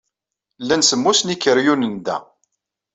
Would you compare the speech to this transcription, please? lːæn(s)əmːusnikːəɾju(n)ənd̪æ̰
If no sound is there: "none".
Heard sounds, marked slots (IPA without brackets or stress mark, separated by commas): s, n